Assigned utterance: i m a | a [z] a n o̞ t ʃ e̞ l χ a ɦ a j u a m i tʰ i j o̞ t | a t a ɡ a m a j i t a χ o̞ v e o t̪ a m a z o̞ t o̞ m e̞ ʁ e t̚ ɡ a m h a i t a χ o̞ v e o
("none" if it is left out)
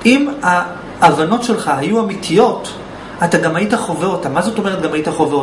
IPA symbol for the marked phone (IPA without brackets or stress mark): v